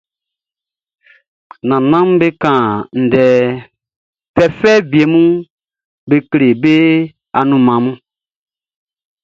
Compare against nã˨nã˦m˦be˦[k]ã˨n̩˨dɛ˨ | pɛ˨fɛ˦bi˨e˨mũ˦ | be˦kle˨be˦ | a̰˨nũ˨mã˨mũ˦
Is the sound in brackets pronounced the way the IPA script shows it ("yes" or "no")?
yes